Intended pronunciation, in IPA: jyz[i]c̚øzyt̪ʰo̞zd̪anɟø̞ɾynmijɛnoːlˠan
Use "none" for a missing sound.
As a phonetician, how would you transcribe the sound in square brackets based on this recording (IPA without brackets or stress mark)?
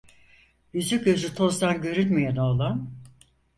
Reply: y